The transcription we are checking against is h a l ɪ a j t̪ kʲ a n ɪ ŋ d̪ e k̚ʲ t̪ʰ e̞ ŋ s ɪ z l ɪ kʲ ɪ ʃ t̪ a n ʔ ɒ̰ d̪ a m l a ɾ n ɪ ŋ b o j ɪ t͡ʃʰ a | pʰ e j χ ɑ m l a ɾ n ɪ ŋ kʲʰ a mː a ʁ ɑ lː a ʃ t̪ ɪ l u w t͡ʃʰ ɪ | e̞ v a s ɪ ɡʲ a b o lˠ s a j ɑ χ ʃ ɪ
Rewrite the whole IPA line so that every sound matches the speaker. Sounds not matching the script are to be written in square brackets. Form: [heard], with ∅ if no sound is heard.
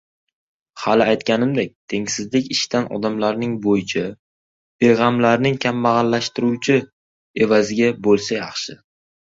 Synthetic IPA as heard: h a l ɪ a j t̪ kʲ a n ɪ [m] d̪ e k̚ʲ t̪ʰ e̞ ŋ s ɪ z l ɪ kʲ ɪ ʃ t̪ a n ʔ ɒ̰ d̪ a m l a ɾ n ɪ ŋ b o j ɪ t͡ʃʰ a | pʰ e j [ʁ] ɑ m l a ɾ n ɪ ŋ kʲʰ a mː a ʁ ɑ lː a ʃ t̪ ɪ [ɾ] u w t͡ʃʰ ɪ | e̞ v a [z] ɪ ɡʲ a b o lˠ s a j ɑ χ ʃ ɪ